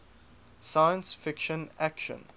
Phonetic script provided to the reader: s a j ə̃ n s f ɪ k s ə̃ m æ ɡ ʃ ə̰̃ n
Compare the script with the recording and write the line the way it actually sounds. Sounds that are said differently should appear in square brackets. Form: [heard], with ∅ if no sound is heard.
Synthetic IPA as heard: s a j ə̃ n s f ɪ k [ʃ] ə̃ [n] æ [k] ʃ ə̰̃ n